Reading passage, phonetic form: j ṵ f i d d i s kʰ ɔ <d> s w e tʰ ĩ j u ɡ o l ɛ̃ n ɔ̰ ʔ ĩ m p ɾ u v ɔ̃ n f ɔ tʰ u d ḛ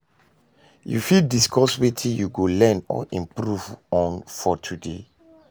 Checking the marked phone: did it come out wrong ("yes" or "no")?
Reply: yes